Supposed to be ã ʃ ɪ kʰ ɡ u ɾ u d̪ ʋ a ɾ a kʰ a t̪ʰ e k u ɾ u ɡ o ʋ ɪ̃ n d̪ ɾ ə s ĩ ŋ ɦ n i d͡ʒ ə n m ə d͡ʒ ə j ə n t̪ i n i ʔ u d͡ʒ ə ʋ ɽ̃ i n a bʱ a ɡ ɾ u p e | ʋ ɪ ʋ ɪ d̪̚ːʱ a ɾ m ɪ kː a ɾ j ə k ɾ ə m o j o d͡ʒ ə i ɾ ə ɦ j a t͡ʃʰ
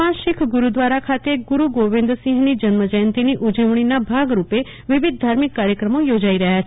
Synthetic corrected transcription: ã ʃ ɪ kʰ ɡ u ɾ u d̪ ʋ a ɾ a kʰ a t̪ e ɡ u ɾ u ɡ o ʋ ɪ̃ n d̪ ɾ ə s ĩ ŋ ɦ n i d͡ʒ ə n m ə d͡ʒ ə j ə n t̪ i n i ʔ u d͡ʒ ə ʋ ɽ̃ i n a bʱ a ɡ ɾ u p e | ʋ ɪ ʋ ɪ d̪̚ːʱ a ɾ m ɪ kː a ɾ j ə k ɾ ə m o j o d͡ʒ a i ɾ ə ɦ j a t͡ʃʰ

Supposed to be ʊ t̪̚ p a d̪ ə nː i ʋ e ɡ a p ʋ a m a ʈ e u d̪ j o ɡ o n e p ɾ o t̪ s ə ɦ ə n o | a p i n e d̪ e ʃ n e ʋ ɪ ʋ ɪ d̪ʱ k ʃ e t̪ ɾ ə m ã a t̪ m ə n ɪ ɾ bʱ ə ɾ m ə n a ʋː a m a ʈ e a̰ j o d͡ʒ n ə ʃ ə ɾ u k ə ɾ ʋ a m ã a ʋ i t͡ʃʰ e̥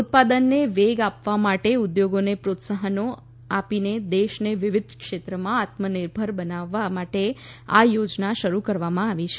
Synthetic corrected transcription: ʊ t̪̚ p a d̪ ə nː e ʋ e ɡ a p ʋ a m a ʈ e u d̪ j o ɡ o n e p ɾ o t̪ s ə ɦ ə n o | a p i n e d̪ e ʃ n e ʋ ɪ ʋ ɪ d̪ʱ k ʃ e t̪ ɾ ə m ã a t̪ m ə n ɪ ɾ bʱ ə ɾ b ə n a ʋː a m a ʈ e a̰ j o d͡ʒ n a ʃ ə ɾ u k ə ɾ ʋ a m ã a ʋ i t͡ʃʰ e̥

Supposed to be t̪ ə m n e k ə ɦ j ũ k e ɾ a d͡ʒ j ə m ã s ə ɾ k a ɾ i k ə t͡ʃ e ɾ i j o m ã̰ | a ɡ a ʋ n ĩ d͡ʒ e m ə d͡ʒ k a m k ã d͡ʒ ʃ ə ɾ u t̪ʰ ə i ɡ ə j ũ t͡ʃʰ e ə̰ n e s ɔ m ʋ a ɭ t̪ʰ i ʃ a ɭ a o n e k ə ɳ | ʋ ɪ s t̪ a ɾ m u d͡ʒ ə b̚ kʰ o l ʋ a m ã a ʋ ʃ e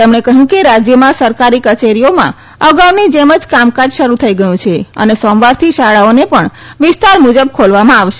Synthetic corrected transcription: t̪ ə m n e k ə ɦ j ũ k e ɾ a d͡ʒ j ə m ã s ə ɾ k a ɾ i k ə t͡ʃ e ɾ i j o m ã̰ | ə ɡ a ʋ n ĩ d͡ʒ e m ə d͡ʒ k a m k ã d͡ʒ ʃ ə ɾ u t̪ʰ ə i ɡ ə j ũ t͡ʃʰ e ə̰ n e s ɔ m ʋ a ɾ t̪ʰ i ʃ a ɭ a o n e p ə ɳ | ʋ ɪ s t̪ a ɾ m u d͡ʒ ə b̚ kʰ o l ʋ a m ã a ʋ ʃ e

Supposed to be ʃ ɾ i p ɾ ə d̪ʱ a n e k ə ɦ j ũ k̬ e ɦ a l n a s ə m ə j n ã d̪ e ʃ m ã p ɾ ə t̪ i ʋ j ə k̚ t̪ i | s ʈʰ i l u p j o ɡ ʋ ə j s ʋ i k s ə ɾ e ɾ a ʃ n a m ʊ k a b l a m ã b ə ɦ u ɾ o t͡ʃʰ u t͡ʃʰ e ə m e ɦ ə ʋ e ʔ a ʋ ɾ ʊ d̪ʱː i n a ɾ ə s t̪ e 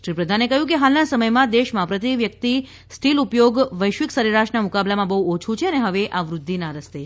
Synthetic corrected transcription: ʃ ɾ i p ɾ ə d̪ʱ a n e k ə ɦ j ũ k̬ e ɦ a l n a s ə m ə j m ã d̪ e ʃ m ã p ɾ ə t̪ i ʋ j ə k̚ t̪ i | s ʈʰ i l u p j o ɡ ʋ ə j ʃ ʋ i k s ə ɾ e ɾ a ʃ n a m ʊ k a b l a m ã b ə ɦ u o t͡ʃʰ u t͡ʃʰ e ə n e ɦ ə ʋ e ʔ a ʋ ɾ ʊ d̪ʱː i n a ɾ ə s t̪ e

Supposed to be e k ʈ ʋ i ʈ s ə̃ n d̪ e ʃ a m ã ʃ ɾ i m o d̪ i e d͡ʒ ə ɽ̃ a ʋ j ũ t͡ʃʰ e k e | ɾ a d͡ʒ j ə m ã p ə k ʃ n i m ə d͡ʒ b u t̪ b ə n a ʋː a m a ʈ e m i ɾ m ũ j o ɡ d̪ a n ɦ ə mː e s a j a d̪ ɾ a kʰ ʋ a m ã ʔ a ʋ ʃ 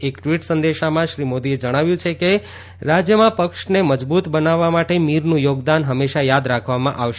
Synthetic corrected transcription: e k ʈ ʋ i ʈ s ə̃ n d̪ e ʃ a m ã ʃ ɾ i m o d̪ i e d͡ʒ ə ɽ̃ a ʋ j ũ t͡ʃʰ e k e | ɾ a d͡ʒ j ə m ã p ə k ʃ n e m ə d͡ʒ b u t̪ b ə n a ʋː a m a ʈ e m i ɾ n ũ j o ɡ d̪ a n ɦ ə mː e ʃ a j a d̪ ɾ a kʰ ʋ a m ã ʔ a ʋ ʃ

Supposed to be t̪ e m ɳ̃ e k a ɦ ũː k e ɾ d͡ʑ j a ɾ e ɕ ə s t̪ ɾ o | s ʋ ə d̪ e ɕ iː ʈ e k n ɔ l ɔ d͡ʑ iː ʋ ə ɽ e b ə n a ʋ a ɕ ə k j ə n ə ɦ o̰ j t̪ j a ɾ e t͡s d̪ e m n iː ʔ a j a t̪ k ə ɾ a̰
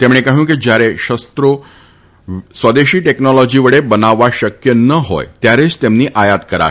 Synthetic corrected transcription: t̪ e m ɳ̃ e k a ɦ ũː k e d͡ʑ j a ɾ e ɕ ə s t̪ ɾ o | s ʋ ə d̪ e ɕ iː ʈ e k n ɔ l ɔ d͡ʑ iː ʋ ə ɽ e b ə n a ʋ a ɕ ə k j ə n ə ɦ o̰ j t̪ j a ɾ e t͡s t̪ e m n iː ʔ a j a t̪ k ə ɾ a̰

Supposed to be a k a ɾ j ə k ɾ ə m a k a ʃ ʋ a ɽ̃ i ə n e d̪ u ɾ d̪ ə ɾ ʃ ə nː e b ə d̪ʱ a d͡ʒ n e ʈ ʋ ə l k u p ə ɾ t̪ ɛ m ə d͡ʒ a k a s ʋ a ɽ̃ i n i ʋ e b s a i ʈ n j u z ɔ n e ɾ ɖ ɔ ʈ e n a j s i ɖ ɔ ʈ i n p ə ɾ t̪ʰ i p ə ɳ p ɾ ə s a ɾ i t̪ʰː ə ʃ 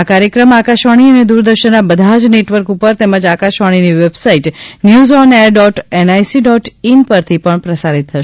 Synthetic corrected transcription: a k a ɾ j ə k ɾ ə m a k a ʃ ʋ a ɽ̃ i ə n e d̪ u ɾ d̪ ə ɾ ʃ ə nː a b ə d̪ʱ a d͡ʒ n e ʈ ʋ ə ɾ k u p ə ɾ t̪ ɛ m ə d͡ʒ a k a ʃ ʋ a ɽ̃ i n i ʋ e b s a i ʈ n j u z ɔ n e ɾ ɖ ɔ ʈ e n a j s i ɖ ɔ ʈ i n p ə ɾ t̪ʰ i p ə ɳ p ɾ ə s a ɾ i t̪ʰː ə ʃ

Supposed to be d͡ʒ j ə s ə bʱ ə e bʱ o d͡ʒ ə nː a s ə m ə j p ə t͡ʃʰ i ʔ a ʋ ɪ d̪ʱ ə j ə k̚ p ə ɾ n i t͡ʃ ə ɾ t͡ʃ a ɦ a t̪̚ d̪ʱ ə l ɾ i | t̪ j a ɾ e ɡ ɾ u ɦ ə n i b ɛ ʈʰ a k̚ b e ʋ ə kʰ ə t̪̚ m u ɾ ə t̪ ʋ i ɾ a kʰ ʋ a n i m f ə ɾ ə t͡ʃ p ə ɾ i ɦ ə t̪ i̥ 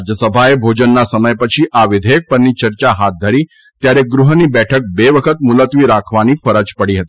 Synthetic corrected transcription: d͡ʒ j ə s ə bʱ a e bʱ o d͡ʒ ə nː a s ə m ə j p ə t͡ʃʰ i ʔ a ʋ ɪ d̪ʱ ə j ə k̚ p ə ɾ n i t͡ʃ ə ɾ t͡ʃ a ɦ a t̪̚ d̪ʱ ə ɾ i | t̪ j a ɾ e ɡ ɾ u ɦ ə n i b ɛ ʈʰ ə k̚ b e ʋ ə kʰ ə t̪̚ m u l ə t̪ ʋ i ɾ a kʰ ʋ a n i f ə ɾ ə t͡ʃ p ə ɽ i ɦ ə t̪ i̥

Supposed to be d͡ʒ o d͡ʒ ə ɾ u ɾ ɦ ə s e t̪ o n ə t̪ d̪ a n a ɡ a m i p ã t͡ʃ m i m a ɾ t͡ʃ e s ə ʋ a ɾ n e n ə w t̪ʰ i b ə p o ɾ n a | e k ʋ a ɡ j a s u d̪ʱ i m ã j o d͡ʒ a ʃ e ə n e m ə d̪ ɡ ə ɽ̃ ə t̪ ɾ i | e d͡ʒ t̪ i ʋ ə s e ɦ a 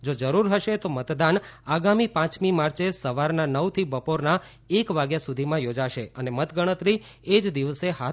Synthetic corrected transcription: d͡ʒ o d͡ʒ ə ɾ u ɾ ɦ ə ʃ e t̪ o m ə t̪ d̪ a n a ɡ a m i p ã t͡ʃ m i m a ɾ t͡ʃ e s ə ʋ a ɾ n a n ə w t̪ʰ i b ə p o ɾ n a | e k ʋ a ɡ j a s u d̪ʱ i m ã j o d͡ʒ a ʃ e ə n e m ə t̪ ɡ ə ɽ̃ ə t̪ ɾ i | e d͡ʒ d̪ i ʋ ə s e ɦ a

